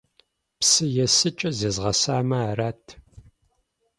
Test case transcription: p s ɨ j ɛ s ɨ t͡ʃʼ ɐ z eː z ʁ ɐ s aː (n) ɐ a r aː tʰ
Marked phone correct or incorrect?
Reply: incorrect